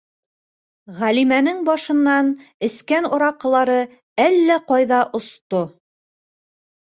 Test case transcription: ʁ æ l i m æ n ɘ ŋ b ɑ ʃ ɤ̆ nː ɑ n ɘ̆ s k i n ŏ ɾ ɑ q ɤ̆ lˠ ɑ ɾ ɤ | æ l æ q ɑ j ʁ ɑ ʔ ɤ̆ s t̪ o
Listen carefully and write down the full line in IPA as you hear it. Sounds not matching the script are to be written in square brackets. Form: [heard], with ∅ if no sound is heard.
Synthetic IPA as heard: ʁ æ l i m æ n ɘ ŋ b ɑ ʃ ɤ̆ nː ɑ n ɘ̆ s k [æ] n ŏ ɾ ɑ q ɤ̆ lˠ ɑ ɾ ɤ | æ [lː] æ q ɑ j [ð] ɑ ʔ [ŏ] s t̪ o